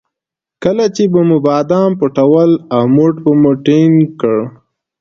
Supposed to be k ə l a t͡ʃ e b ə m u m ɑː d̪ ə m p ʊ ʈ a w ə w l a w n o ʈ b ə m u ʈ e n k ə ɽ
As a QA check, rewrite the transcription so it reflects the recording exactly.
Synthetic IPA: k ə l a t͡ʃ e b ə m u b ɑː d̪ ɑ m p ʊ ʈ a w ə l a w m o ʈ b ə m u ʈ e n k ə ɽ